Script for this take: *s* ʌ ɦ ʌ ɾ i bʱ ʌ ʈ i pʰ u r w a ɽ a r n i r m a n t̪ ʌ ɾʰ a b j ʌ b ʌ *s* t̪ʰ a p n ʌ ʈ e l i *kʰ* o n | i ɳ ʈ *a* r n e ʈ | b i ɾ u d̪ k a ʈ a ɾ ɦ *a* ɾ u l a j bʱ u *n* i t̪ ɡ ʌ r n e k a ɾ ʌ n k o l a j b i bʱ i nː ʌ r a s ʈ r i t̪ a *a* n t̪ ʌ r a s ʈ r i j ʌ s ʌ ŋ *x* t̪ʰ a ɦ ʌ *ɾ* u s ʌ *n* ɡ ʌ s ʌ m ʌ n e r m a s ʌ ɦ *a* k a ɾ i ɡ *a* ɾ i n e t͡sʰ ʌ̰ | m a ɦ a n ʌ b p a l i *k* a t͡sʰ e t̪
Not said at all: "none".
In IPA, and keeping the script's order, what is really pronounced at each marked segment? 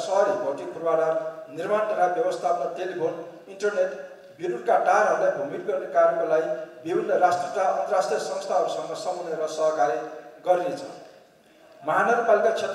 s, s, pʰ, ʌ, ʌ, m, ʌ, s, ɾ, ŋ, ʌ, ʌ, k

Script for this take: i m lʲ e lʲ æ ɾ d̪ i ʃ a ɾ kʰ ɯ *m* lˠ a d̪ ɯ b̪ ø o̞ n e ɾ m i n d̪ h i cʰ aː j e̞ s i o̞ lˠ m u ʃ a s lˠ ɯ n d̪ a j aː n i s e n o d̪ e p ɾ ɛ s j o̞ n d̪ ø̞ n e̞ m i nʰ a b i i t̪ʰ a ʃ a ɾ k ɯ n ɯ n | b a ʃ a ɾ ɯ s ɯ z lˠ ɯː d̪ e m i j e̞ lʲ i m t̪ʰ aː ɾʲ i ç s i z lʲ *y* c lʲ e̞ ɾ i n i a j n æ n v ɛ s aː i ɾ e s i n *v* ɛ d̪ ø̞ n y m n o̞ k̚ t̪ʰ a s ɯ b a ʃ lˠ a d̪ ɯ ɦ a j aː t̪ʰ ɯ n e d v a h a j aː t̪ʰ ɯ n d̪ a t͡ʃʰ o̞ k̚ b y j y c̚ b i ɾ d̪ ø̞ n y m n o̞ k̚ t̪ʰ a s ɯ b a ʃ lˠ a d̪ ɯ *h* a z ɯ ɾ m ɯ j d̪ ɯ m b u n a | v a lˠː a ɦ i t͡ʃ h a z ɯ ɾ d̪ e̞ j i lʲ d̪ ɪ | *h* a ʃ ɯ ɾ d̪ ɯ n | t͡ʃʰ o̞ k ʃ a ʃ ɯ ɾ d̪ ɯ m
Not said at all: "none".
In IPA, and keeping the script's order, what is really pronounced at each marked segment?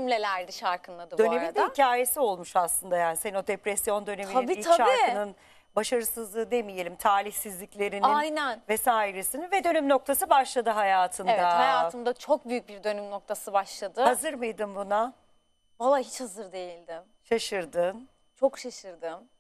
n, i, v, h, ʃ

